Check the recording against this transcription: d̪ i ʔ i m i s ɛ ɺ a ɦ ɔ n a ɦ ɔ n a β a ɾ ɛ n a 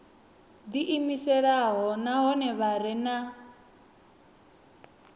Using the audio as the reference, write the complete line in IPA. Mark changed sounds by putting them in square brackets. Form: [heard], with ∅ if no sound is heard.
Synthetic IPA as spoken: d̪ i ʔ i m i s ɛ ɺ a ɦ ɔ n a ɦ ɔ n [ɛ] β a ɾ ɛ n a